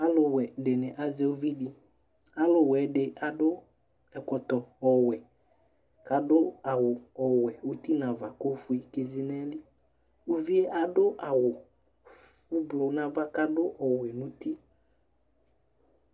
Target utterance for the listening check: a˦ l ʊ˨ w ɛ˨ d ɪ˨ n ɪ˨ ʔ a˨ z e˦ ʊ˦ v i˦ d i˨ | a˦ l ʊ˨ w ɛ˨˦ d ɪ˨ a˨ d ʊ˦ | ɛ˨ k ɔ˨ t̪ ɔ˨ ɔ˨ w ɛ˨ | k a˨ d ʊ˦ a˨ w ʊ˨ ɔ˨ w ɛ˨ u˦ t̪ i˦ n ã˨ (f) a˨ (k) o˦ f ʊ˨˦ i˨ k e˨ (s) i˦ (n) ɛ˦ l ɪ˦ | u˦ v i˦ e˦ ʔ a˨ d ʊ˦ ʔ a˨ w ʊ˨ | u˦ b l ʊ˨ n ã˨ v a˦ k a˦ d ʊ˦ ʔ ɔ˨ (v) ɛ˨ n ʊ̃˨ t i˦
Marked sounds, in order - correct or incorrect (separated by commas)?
incorrect, correct, incorrect, correct, incorrect